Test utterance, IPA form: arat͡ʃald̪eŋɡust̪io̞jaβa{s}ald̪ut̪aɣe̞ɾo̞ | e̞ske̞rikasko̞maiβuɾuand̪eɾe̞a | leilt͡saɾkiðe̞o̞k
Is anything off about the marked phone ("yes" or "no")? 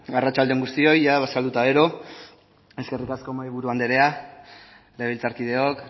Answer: no